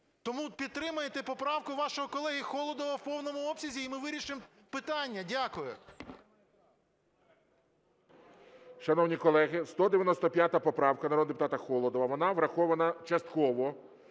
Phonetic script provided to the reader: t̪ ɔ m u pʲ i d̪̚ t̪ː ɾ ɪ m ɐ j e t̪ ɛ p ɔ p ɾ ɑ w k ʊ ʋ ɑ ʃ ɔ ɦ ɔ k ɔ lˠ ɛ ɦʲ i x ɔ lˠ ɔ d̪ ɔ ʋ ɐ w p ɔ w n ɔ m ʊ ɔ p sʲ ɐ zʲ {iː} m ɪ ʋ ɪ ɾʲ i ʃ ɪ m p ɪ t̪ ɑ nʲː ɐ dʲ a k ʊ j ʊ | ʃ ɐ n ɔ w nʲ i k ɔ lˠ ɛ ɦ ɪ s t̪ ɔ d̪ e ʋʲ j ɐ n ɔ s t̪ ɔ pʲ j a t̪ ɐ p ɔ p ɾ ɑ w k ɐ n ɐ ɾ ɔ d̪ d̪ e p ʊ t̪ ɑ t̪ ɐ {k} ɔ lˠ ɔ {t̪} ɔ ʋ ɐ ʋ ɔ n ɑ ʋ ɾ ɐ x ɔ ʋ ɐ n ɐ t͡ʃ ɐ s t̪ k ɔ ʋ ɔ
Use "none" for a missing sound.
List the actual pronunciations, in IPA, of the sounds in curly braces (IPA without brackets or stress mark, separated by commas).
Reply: iː, x, d̪